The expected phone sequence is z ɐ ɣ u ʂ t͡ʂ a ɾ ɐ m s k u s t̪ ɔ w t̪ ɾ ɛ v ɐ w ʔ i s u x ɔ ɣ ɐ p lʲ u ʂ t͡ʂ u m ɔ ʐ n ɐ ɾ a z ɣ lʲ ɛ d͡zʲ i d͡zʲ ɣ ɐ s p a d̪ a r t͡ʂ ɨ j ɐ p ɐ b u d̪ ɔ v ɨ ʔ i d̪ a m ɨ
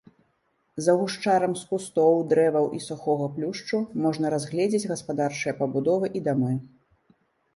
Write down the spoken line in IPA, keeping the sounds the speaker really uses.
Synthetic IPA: z ɐ ɣ u ʂ t͡ʂ a ɾ ɐ m s k u s t̪ ɔ w d̪ ɾ ɛ v ɐ w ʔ i s u x ɔ ɣ ɐ p lʲ u ʂ t͡ʂ u m ɔ ʐ n ɐ ɾ a z ɣ lʲ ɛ d͡zʲ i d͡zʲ ɣ ɐ s p a d̪ a r t͡ʂ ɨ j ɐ p ɐ b u d̪ ɔ v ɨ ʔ i d̪ a m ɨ

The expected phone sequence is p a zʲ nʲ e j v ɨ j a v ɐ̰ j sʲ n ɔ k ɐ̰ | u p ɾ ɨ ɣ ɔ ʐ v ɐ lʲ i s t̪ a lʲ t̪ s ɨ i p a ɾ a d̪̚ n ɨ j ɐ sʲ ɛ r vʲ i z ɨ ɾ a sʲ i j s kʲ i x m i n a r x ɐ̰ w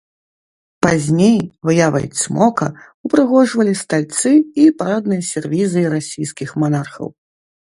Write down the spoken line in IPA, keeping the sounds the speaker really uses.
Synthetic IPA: p a zʲ nʲ e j v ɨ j a v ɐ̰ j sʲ m ɔ k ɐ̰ | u p ɾ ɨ ɣ ɔ ʐ v ɐ lʲ i s t̪ a lʲ t̪ s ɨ i p a ɾ a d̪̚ n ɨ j ɐ sʲ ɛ r vʲ i z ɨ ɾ a sʲ i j s kʲ i x m a n a r x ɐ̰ w

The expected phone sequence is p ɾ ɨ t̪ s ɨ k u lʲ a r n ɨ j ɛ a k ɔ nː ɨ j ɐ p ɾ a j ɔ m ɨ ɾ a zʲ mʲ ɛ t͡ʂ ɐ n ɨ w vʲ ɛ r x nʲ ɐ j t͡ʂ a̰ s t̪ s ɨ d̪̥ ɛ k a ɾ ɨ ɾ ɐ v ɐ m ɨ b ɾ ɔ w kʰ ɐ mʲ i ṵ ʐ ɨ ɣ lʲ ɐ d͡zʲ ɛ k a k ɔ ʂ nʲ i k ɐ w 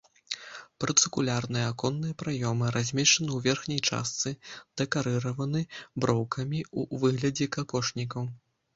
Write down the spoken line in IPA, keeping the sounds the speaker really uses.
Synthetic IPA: p ɾ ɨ t̪ s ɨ k u lʲ a r n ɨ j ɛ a k ɔ nː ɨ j ɐ p ɾ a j ɔ m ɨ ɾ a zʲ mʲ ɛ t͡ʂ ɐ n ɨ w vʲ ɛ r x nʲ ɐ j t͡ʂ a̰ s t̪ s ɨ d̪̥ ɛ k a ɾ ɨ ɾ ɐ v ɐ n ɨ b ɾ ɔ w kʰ ɐ mʲ i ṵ v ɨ ɣ lʲ ɐ d͡zʲ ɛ k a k ɔ ʂ nʲ i k ɐ w

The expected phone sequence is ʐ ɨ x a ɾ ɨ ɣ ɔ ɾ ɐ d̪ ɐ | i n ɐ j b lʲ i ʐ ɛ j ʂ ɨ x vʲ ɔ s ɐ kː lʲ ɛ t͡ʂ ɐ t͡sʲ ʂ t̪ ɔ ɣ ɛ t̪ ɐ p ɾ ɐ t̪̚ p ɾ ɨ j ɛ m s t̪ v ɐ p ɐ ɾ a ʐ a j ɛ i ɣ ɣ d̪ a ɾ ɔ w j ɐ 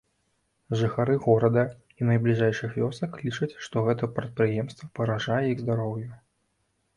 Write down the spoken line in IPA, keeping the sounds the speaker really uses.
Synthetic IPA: ʐ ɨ x a ɾ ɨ ɣ ɔ ɾ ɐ d̪ ɐ | i n ɐ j b lʲ i ʐ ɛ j ʂ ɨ x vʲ ɔ s ɐ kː lʲ i t͡ʂ ɐ t͡sʲ ʂ t̪ ɔ ɣ ɛ t̪ ɐ p ɾ ɐ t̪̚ p ɾ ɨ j ɛ m s t̪ v ɐ p ɐ ɾ a ʐ a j ɛ i ɣ z d̪ a ɾ ɔ w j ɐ

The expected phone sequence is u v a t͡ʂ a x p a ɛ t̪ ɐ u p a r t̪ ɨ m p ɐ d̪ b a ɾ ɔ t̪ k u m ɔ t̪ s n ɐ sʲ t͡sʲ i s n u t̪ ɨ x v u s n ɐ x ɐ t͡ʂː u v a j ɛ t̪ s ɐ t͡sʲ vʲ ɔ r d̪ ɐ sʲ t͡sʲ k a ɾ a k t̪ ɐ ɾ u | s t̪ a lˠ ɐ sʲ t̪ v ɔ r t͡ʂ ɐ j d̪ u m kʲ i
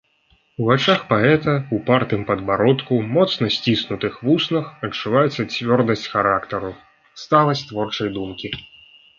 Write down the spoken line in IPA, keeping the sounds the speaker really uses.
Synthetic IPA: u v a t͡ʂ a x p a ɛ t̪ ɐ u p a r t̪ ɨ m p ɐ d̪ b a ɾ ɔ t̪ k u m ɔ t̪ s n ɐ sʲ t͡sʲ i s n u t̪ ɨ x v u s n ɐ x ɐ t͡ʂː u v a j ɛ t̪ s ɐ t͡sʲ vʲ ɔ r d̪ ɐ sʲ t͡sʲ x a ɾ a k t̪ ɐ ɾ u | s t̪ a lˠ ɐ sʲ t̪ v ɔ r t͡ʂ ɐ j d̪ u m kʲ i

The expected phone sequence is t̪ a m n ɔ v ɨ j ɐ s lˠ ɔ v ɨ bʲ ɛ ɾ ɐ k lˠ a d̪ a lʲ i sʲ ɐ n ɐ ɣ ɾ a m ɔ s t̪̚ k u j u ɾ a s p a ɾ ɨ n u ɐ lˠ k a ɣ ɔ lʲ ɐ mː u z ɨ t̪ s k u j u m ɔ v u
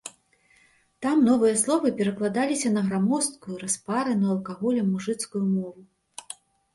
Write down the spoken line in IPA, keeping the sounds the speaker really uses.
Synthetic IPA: t̪ a m n ɔ v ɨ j ɐ s lˠ ɔ v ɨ pʲ ɛ ɾ ɐ k lˠ a d̪ a lʲ i sʲ ɐ n ɐ ɣ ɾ a m ɔ s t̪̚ k u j u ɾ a s p a ɾ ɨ n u ɐ lˠ k a ɣ ɔ lʲ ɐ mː u ʐ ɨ t̪ s k u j u m ɔ v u

